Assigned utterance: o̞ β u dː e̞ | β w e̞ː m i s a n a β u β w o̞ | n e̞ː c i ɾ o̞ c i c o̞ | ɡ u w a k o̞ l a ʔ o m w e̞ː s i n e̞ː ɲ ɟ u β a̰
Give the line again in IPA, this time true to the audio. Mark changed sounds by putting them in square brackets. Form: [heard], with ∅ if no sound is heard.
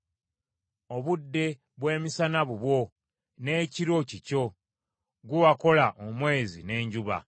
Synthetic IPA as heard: o̞ β u dː e̞ | β w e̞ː m i s a n a β u β w o̞ | n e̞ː c i ɾ o̞ c i c o̞ | ɡ u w a k o̞ l a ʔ o m w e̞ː [z] i n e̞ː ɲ ɟ u β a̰